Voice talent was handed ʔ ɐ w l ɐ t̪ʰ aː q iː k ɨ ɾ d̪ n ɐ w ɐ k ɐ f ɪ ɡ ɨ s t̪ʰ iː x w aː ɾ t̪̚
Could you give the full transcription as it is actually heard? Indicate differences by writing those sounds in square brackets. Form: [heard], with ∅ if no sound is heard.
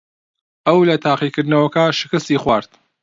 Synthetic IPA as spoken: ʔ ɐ w l ɐ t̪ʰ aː q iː k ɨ ɾ d̪ n ɐ w ɐ k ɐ [ʃ] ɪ [k] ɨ s [t̪] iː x w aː ɾ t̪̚